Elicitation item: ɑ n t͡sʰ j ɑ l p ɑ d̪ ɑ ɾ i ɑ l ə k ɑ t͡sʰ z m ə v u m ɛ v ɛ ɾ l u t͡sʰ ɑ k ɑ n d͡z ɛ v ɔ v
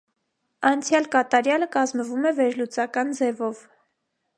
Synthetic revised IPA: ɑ n t͡sʰ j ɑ l k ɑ t̪ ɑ ɾ j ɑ l ə k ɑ z m ə v u m ɛ v ɛ ɾ l u t͡s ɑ k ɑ n d͡z ɛ v ɔ v